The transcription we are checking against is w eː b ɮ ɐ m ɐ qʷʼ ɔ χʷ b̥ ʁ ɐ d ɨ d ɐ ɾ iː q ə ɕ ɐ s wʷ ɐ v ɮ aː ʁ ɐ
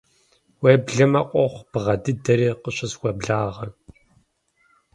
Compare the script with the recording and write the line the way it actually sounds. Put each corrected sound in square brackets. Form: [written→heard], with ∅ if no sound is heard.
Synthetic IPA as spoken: w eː b ɮ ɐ m ɐ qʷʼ ɔ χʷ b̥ ʁ ɐ d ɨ d ɐ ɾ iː q ə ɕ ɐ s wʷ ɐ [v→b] ɮ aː ʁ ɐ